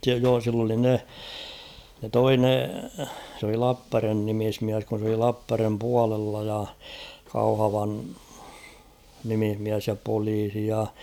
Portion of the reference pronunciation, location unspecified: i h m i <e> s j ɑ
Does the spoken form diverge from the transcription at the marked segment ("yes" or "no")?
yes